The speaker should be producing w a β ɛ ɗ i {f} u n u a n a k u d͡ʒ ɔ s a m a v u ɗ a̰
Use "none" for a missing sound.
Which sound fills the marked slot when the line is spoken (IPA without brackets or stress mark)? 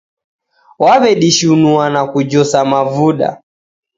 ʃ